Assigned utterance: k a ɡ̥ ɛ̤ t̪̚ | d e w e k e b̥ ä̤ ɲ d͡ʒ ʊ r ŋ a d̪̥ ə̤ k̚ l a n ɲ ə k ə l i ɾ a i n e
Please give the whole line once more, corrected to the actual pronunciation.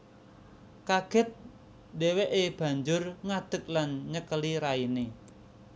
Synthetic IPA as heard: k a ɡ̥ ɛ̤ t̪̚ | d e w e ʔ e b̥ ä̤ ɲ d͡ʒ ʊ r ŋ a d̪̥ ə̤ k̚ l a n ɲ ə k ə l i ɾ a i n e